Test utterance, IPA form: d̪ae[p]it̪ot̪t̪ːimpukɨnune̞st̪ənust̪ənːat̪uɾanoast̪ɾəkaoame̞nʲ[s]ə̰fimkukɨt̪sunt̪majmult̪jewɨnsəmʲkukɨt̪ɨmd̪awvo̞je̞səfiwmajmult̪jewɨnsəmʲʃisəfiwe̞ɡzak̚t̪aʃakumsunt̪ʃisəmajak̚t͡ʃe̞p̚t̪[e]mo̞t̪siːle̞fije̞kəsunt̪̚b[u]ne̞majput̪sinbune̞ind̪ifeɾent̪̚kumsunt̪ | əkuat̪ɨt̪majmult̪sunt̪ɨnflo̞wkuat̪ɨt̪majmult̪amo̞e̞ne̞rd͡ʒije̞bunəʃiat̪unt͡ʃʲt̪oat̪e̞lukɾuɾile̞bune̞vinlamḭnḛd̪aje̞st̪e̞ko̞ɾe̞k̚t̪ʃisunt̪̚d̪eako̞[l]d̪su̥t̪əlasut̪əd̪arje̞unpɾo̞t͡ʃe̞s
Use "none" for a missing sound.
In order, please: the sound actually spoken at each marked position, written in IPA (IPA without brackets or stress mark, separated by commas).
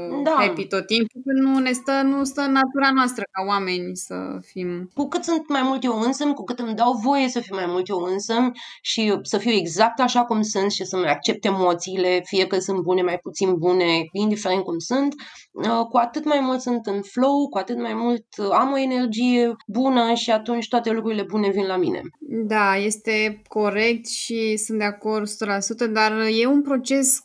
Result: p, s, e, u, r